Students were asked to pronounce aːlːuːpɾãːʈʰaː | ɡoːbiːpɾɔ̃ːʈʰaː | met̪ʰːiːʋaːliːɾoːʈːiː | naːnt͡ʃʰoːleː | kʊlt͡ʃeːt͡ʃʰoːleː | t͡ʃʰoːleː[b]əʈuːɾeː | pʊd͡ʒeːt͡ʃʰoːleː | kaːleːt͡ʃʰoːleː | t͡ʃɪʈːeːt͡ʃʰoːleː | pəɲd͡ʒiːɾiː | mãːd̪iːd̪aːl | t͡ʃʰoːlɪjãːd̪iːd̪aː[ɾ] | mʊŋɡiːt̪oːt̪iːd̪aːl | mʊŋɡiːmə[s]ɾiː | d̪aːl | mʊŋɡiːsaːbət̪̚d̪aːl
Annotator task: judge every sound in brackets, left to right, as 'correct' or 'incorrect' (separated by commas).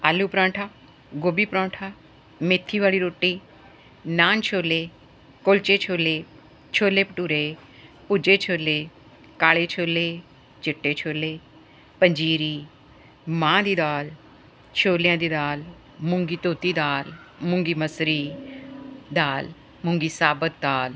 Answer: incorrect, incorrect, correct